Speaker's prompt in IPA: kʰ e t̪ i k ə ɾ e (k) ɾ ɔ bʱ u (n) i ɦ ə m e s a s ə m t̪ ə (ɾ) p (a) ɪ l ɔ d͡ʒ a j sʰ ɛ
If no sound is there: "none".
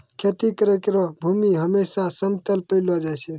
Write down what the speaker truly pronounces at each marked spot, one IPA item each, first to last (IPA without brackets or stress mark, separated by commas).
k, m, l, ə